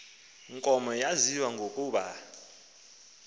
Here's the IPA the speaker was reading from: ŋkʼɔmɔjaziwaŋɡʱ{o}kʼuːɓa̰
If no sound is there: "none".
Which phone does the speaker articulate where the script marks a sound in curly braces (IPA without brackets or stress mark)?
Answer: o